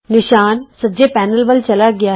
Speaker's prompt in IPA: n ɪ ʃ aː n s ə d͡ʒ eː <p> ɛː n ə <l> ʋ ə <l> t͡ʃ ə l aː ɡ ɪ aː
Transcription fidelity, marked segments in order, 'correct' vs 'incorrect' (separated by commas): correct, correct, correct